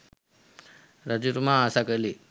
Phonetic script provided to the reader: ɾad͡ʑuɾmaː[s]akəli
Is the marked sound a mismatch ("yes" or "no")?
no